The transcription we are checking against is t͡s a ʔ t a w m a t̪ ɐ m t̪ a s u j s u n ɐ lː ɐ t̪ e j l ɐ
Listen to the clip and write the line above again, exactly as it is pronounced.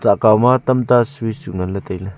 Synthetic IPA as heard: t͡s a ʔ k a w m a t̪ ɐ m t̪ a s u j s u ŋ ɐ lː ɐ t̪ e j l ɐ